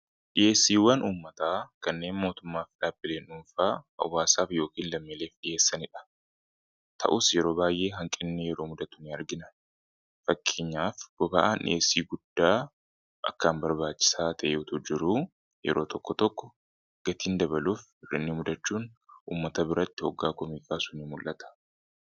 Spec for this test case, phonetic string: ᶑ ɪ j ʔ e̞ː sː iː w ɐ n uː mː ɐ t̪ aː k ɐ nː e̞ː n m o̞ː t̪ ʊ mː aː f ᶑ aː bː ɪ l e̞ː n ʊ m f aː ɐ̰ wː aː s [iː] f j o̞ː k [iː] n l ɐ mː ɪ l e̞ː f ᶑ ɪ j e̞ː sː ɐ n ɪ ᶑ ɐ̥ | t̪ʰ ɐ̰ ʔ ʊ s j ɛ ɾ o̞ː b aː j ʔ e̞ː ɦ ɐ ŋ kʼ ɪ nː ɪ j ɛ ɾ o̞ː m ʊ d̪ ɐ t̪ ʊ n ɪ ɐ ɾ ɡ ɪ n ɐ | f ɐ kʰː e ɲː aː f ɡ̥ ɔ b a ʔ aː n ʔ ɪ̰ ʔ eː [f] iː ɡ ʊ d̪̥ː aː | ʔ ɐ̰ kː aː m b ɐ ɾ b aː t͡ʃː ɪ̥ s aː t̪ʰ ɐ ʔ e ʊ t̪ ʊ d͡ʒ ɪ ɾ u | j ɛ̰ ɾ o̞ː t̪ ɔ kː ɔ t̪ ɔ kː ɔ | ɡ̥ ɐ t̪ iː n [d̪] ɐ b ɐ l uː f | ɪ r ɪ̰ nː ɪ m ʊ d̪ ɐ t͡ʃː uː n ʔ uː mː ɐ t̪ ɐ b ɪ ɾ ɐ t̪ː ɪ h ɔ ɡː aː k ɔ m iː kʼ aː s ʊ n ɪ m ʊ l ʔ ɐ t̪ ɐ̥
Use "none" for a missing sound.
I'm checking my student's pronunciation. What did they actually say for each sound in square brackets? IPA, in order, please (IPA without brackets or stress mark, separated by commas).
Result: aː, iː, s, d̪